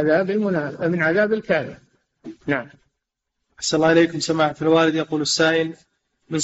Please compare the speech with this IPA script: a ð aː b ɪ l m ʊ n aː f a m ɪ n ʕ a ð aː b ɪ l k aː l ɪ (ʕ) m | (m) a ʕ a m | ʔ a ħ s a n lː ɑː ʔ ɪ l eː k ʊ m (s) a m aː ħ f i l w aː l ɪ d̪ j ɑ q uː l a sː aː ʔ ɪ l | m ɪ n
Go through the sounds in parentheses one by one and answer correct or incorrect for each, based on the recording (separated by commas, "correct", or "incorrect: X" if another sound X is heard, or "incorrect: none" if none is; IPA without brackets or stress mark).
incorrect: none, incorrect: n, correct